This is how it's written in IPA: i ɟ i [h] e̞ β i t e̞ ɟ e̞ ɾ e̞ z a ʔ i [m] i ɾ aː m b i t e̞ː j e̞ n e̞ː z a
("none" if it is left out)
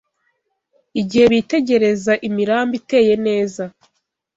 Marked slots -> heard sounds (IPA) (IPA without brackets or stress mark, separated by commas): h, m